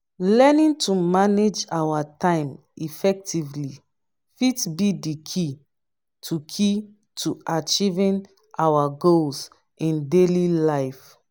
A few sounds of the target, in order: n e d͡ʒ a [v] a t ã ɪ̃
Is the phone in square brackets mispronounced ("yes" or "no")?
yes